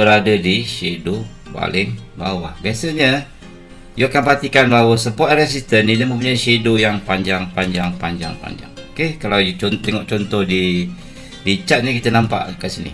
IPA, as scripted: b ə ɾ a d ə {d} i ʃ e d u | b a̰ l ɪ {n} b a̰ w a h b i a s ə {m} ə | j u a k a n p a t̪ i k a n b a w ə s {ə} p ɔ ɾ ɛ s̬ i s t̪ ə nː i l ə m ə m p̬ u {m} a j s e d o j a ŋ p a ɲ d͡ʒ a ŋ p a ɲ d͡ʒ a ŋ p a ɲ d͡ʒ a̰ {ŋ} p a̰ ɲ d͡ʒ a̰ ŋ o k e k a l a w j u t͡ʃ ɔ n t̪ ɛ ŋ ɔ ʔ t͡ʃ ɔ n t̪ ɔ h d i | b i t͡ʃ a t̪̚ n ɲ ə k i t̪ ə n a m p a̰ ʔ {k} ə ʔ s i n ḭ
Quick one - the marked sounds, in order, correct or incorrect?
correct, incorrect, incorrect, correct, incorrect, correct, correct

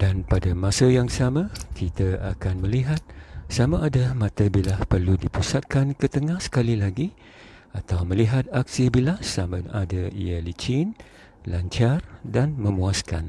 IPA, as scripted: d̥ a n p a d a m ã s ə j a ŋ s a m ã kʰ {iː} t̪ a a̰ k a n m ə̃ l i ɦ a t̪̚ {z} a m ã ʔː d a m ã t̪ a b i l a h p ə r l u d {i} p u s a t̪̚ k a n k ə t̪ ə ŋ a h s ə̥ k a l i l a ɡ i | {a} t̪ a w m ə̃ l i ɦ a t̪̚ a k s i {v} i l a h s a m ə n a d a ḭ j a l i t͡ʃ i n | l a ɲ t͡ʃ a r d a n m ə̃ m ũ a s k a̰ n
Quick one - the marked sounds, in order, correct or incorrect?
incorrect, incorrect, correct, correct, incorrect

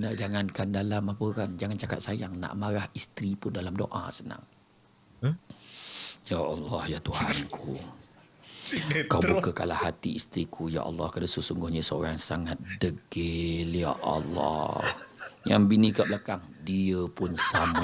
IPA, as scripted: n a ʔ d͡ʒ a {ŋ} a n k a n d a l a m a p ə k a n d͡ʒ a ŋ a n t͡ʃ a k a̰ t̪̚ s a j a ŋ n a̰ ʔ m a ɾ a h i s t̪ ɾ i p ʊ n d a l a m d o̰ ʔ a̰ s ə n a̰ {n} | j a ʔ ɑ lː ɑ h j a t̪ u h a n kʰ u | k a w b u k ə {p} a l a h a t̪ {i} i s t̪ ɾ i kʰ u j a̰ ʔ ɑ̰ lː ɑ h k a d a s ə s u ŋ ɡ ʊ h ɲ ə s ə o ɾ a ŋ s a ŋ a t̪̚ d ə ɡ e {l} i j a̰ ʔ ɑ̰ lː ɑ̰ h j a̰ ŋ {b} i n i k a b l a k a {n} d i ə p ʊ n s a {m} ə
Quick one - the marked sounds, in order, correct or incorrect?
correct, incorrect, incorrect, correct, correct, correct, incorrect, correct

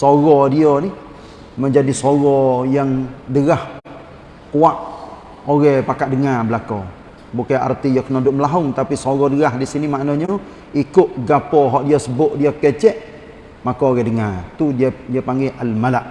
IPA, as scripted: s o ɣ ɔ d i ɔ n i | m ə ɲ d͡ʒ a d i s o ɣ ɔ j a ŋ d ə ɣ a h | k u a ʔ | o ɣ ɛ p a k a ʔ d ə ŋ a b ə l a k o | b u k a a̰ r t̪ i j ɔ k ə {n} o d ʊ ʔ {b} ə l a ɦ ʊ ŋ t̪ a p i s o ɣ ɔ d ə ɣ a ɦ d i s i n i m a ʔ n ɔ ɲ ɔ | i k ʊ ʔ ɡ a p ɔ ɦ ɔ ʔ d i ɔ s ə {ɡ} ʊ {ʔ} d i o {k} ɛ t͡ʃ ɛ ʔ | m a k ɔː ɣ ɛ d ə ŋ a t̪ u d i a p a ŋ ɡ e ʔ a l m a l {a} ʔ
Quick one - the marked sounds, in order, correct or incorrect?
correct, incorrect, incorrect, correct, correct, correct

